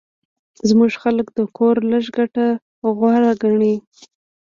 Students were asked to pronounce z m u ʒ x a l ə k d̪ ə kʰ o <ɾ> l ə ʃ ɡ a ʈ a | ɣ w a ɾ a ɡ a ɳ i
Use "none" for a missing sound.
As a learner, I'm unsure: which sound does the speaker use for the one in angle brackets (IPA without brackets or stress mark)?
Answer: ɾ